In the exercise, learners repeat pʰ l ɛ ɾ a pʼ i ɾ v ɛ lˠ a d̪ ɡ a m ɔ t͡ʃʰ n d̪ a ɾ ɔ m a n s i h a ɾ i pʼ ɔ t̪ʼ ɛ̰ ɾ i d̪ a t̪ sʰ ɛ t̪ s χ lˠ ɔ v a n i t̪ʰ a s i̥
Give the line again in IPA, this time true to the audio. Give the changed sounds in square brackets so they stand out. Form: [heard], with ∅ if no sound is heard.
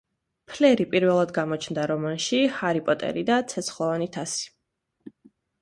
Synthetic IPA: pʰ l ɛ ɾ [i] pʼ i ɾ v ɛ lˠ a d̪ ɡ a m ɔ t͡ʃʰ n d̪ a ɾ ɔ m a n [ʃ] i h a ɾ i pʼ ɔ t̪ʼ ɛ̰ ɾ i d̪ a t̪ sʰ ɛ t̪ s χ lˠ ɔ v a n i t̪ʰ a s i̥